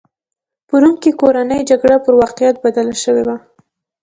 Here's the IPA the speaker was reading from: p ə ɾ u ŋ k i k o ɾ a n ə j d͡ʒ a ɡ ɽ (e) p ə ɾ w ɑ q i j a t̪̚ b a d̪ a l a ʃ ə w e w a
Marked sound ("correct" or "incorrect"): incorrect